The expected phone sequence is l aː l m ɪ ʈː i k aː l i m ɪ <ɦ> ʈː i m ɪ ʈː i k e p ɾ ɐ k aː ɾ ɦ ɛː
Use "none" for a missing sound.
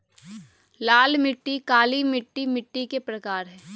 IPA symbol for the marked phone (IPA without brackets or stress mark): none